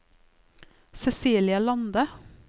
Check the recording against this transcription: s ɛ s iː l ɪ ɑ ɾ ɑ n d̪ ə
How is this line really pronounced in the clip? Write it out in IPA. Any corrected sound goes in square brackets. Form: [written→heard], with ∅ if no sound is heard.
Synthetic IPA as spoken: s ɛ s iː l ɪ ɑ [ɾ→l] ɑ n d̪ ə